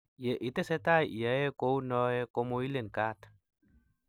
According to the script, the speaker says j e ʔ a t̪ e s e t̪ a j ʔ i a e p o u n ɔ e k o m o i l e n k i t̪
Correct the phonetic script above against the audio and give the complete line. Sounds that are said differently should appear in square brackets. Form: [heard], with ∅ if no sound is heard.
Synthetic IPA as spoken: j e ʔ [i] t̪ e s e t̪ a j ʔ [j] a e [k] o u n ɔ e k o m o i l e n k [a] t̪

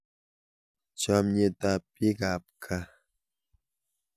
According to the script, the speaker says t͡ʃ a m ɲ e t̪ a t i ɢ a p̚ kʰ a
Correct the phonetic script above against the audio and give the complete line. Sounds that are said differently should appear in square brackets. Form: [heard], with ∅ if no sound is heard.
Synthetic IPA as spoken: t͡ʃ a m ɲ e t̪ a [p] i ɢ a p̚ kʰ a

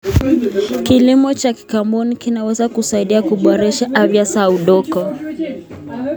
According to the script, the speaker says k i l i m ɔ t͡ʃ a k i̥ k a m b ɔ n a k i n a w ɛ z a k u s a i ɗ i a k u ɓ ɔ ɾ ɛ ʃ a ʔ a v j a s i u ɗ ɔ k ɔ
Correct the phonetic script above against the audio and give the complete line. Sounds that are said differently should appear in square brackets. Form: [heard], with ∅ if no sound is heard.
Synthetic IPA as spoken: k i l i m ɔ t͡ʃ a k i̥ k a m b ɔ n [i] k i n a w ɛ z a k u s a i ɗ i a k u ɓ ɔ ɾ ɛ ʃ a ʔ a v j a s [a] u ɗ ɔ k ɔ

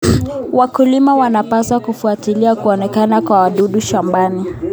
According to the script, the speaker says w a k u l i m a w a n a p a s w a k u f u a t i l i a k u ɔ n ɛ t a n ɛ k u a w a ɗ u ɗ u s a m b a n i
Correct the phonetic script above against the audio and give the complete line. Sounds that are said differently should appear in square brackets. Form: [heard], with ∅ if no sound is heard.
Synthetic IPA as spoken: w a k u l i m a w a n a p a s w a k u f u a t i l i a k u ɔ n ɛ [k] a n [a] k [w] a w a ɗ u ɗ u [ʃ] a m b a n i

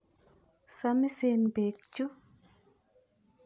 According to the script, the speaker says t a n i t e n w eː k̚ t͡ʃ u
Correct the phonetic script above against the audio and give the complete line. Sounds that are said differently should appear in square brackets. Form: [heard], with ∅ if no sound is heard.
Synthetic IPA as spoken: [s] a [m] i [s] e n [b] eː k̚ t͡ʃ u

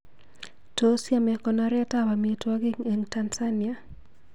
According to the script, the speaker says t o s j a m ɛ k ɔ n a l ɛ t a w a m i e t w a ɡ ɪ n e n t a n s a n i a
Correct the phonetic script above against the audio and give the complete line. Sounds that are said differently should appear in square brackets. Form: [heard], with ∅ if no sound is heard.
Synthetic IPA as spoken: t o s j a m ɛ k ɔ n a [ɾ] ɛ t a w a m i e t w a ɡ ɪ [ŋ] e [ŋ] t a n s a n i a

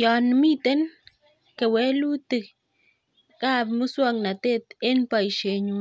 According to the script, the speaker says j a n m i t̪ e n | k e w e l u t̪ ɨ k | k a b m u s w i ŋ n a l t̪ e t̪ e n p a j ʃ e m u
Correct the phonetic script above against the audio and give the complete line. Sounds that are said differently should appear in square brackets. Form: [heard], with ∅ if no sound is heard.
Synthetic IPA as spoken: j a n m i t̪ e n | k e w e l u t̪ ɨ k | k a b m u s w [a] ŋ n a [∅] t̪ e t̪ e n p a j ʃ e [ɲ] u

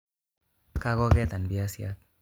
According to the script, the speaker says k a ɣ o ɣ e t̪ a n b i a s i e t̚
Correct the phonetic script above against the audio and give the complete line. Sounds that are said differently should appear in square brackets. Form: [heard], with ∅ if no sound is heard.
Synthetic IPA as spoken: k a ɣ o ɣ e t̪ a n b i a s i [a] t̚

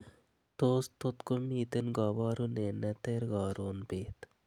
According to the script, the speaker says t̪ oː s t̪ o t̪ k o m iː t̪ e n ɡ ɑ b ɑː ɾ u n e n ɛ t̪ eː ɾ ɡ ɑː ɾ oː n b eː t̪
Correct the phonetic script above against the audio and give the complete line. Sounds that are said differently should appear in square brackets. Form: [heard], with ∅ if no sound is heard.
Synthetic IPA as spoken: t̪ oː s t̪ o t̪ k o m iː t̪ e n ɡ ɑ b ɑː ɾ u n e n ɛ t̪ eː ɾ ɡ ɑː ɾ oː n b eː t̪

